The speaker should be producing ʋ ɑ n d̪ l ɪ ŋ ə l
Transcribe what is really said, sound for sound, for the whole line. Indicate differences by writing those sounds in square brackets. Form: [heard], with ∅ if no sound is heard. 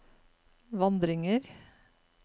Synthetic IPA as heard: ʋ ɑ n d̪ [ɾ] ɪ ŋ ə [ɾ]